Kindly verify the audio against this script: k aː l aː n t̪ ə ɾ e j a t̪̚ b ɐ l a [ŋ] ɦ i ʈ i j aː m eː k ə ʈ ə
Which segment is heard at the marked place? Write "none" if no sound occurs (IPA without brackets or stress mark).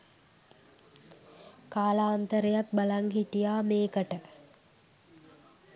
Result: ŋ